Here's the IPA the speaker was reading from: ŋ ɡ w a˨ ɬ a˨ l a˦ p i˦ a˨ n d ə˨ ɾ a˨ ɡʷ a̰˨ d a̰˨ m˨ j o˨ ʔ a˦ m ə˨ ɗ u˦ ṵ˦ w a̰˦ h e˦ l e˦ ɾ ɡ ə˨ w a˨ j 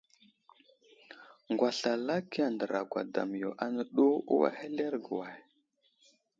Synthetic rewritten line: ŋ ɡ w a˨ ɬ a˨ l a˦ k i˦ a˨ n d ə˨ ɾ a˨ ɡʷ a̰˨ d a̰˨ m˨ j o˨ ʔ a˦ n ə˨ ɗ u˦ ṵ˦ w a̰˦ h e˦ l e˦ ɾ ɡ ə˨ w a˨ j